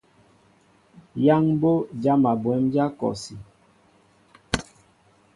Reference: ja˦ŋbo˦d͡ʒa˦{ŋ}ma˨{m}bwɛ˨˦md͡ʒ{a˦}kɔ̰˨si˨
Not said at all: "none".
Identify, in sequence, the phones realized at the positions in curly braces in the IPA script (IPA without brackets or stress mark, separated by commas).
none, none, a˦